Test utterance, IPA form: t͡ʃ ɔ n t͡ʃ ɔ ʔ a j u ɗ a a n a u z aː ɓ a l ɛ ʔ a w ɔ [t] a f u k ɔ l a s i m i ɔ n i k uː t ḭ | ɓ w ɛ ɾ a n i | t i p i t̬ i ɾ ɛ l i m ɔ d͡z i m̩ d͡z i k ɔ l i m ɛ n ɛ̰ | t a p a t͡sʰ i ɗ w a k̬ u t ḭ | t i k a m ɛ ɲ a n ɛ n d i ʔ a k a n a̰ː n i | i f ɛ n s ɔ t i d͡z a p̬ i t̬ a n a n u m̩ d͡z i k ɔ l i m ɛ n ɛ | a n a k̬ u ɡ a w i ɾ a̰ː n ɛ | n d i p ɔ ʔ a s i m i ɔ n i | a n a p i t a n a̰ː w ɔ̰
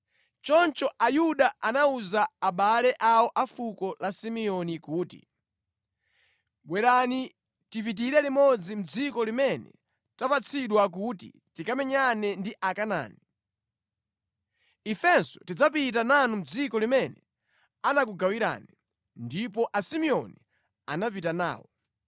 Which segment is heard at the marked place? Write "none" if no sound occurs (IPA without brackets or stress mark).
ʔ